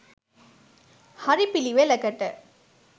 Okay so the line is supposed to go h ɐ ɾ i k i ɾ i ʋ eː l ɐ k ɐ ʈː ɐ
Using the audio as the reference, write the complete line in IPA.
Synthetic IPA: h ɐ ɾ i p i l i ʋ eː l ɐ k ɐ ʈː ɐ